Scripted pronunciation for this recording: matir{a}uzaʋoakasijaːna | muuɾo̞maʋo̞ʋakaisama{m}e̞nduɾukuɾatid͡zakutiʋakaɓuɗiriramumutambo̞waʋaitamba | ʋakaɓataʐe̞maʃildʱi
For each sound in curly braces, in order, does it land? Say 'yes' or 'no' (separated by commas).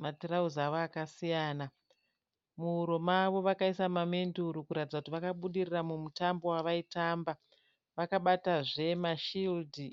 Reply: yes, yes